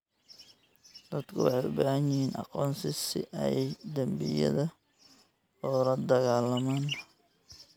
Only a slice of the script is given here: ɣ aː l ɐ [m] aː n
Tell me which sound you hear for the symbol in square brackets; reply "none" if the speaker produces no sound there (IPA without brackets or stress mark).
m